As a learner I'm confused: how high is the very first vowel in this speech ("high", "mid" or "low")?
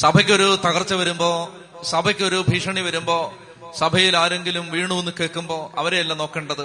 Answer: low